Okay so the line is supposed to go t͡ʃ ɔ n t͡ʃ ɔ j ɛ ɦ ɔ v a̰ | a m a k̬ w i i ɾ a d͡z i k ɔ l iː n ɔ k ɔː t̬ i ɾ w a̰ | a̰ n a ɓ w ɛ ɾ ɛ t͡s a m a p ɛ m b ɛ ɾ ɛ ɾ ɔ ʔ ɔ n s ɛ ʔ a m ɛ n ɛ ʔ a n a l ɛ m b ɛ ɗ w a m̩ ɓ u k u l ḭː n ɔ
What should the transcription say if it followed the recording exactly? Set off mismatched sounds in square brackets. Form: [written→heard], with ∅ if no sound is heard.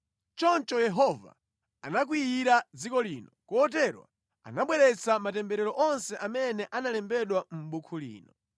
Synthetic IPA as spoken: t͡ʃ ɔ n t͡ʃ ɔ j ɛ ɦ ɔ v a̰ | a [m→n] a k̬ w i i ɾ a d͡z i k ɔ l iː n ɔ k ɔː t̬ [i→ɛ] ɾ w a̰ | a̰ n a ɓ w ɛ ɾ ɛ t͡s a m a [p→t] ɛ m b ɛ ɾ ɛ ɾ ɔ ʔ ɔ n s ɛ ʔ a m ɛ n ɛ ʔ a n a l ɛ m b ɛ ɗ w a m̩ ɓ u [k→kʰ] u l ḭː n ɔ